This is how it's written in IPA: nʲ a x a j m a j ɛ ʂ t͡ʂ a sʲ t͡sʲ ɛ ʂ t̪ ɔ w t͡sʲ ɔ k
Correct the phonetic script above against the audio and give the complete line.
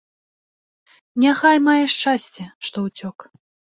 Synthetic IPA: nʲ a x a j m a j ɛ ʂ t͡ʂ a sʲ t͡sʲ ɛ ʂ t̪ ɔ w t͡sʲ ɔ k